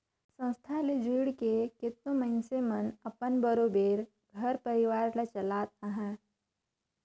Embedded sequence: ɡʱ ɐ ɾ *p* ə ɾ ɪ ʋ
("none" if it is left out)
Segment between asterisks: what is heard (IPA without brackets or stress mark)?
p